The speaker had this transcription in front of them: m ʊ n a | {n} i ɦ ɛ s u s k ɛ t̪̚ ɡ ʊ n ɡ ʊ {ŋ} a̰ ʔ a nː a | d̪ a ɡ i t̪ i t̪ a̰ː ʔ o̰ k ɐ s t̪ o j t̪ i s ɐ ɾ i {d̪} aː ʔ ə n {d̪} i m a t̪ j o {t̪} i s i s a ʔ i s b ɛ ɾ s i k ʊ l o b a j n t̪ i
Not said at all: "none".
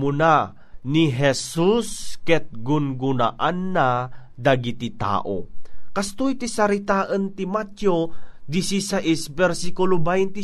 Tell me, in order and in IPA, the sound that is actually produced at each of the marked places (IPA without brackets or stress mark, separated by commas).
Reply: n, n, t̪, t̪, d̪